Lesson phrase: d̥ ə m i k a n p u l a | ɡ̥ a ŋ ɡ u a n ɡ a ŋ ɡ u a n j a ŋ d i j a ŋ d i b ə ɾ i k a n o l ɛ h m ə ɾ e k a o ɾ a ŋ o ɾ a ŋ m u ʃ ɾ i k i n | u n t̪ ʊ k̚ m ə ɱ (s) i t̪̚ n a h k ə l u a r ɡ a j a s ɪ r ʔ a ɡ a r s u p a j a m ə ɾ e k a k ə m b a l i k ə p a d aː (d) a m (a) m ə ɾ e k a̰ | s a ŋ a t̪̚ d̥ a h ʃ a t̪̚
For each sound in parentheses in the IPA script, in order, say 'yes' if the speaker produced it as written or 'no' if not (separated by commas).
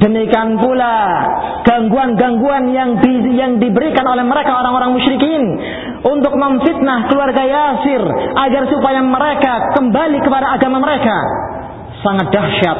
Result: no, no, yes